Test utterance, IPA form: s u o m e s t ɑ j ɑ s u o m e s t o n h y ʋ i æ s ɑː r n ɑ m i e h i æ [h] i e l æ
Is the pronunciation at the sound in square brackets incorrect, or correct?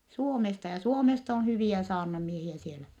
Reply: incorrect